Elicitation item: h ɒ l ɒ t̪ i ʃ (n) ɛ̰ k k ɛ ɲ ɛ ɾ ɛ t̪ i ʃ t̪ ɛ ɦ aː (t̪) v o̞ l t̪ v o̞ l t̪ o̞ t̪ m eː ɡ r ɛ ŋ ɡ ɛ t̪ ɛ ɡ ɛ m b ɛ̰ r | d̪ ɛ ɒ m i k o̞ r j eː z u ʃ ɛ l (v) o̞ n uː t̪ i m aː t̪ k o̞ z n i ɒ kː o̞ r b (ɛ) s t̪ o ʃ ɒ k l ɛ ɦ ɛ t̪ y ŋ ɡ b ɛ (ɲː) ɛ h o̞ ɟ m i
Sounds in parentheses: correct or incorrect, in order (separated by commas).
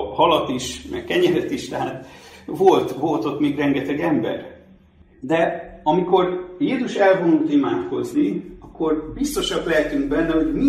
incorrect, correct, correct, incorrect, incorrect